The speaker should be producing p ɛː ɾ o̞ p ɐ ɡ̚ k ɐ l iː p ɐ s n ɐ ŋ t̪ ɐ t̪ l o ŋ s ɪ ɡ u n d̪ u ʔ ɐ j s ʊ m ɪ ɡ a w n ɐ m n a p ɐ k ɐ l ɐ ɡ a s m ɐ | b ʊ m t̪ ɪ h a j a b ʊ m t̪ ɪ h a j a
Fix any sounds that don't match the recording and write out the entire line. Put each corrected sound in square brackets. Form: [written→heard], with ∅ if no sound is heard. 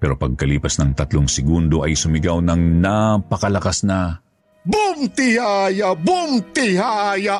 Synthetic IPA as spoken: p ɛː ɾ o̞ p ɐ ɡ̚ k ɐ l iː p ɐ s n ɐ ŋ t̪ ɐ t̪ l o ŋ s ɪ ɡ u n d̪ [u→o] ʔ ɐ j s ʊ m ɪ ɡ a w n ɐ [m→ŋ] n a p ɐ k ɐ l ɐ [ɡ→k] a s [m→n] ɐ | b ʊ m t̪ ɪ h a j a b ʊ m t̪ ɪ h a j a